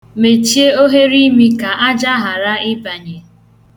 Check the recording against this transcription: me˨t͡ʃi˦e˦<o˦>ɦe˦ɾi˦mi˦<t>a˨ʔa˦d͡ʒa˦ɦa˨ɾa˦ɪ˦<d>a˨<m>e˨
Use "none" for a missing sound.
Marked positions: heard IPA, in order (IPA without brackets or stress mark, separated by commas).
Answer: o˦, k, b, ɲ